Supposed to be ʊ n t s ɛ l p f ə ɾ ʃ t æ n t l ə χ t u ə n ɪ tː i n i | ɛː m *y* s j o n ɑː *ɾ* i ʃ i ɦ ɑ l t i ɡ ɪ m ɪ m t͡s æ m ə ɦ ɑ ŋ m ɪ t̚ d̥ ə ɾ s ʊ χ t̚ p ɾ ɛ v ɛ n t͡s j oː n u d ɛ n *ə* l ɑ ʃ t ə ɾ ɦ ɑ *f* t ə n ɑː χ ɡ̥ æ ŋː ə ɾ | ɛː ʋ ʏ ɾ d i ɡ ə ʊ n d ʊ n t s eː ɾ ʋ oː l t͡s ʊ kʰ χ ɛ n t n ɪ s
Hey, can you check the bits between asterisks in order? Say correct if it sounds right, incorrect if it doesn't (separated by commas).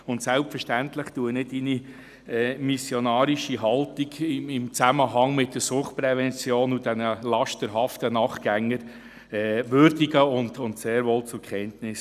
incorrect, correct, correct, correct